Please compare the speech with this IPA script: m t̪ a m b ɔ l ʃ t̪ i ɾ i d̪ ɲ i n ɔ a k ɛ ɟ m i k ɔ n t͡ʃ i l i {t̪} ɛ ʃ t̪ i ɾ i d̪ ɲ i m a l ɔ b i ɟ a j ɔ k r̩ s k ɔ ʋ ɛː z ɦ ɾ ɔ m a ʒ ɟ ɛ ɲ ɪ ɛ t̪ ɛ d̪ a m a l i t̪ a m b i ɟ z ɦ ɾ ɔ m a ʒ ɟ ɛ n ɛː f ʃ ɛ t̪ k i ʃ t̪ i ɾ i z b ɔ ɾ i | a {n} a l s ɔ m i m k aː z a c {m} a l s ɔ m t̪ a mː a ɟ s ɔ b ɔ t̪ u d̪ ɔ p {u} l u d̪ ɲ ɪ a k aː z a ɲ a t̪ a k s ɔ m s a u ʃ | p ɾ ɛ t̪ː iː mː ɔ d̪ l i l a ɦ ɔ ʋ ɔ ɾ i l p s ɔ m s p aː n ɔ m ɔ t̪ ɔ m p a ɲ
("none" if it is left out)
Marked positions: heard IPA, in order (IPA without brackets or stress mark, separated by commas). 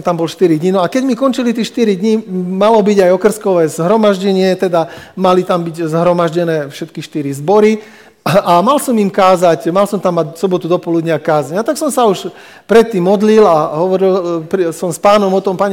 t̪, m, m, ɔ